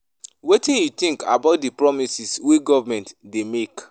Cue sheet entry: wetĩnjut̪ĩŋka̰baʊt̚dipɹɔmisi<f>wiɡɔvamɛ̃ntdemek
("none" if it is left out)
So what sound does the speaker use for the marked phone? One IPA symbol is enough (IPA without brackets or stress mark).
s